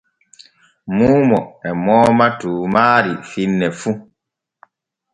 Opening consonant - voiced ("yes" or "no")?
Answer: yes